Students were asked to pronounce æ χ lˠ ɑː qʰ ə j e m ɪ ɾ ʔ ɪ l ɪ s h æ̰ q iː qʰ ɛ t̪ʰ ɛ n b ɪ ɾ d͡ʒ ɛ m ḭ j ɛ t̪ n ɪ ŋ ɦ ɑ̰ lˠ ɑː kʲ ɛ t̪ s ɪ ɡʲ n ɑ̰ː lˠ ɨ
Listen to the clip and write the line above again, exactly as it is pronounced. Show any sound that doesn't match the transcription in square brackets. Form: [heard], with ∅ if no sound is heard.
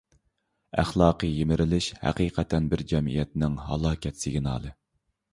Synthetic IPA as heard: æ χ lˠ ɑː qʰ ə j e m ɪ ɾ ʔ ɪ l ɪ [ʃ] h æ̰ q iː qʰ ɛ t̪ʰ ɛ n b ɪ ɾ d͡ʒ ɛ m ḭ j ɛ t̪ n ɪ ŋ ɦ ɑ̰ lˠ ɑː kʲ ɛ t̪ s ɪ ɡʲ n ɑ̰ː lˠ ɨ